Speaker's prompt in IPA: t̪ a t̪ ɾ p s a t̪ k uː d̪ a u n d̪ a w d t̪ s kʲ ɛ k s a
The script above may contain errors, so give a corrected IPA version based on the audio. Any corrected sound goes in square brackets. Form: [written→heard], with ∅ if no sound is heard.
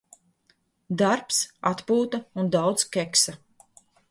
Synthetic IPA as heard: [t̪→d̪] a [t̪→∅] ɾ p s a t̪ [k→p] uː [d̪→t̪] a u n d̪ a w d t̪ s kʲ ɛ k s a